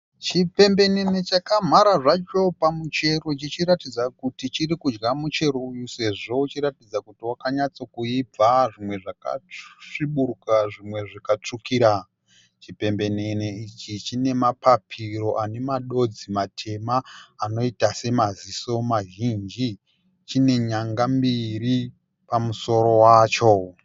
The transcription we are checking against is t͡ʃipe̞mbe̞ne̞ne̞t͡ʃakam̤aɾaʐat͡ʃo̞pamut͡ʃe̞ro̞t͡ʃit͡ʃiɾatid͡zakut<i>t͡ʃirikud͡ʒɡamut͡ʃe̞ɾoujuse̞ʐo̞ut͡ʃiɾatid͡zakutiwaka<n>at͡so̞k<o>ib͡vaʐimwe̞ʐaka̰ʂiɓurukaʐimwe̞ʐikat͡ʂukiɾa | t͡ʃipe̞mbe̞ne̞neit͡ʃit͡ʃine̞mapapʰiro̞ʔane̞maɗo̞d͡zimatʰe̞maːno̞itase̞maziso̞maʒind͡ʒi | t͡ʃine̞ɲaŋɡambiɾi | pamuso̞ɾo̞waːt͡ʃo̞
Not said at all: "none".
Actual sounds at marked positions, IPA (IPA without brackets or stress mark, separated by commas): i, ɲ, u